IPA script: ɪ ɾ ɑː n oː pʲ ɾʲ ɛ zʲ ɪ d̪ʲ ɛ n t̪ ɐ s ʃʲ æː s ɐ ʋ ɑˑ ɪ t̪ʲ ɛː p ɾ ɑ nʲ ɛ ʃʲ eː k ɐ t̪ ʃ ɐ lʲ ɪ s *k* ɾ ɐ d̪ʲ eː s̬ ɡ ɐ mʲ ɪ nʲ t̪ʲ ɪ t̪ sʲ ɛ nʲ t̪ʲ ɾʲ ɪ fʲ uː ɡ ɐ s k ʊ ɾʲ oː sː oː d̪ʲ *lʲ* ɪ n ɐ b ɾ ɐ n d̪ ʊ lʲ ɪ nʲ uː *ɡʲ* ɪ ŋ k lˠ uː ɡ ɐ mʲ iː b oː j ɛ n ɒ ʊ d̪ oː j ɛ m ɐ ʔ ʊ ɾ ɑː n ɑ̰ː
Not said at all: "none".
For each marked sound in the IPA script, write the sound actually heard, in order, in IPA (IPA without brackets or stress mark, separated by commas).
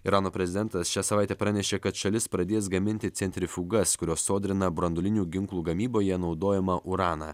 p, ɾʲ, ɡʲ